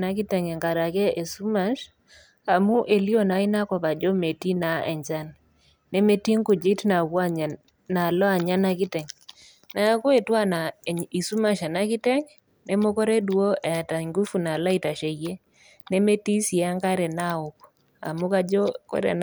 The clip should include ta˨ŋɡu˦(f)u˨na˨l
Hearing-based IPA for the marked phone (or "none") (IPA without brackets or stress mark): f